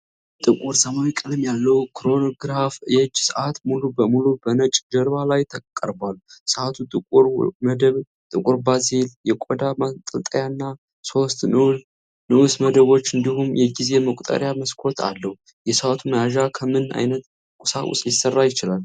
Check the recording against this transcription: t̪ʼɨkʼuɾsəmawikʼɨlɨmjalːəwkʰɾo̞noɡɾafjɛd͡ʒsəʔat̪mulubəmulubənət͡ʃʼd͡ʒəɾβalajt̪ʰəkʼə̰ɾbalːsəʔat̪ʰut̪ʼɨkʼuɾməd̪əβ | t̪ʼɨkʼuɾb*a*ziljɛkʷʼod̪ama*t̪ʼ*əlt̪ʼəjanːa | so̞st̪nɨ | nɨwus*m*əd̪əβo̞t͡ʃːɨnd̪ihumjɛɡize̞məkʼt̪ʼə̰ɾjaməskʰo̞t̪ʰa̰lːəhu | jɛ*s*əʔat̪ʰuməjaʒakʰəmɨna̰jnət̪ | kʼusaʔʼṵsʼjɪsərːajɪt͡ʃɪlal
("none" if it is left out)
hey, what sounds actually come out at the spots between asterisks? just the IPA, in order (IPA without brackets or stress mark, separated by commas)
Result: a, t̪ʼ, m, s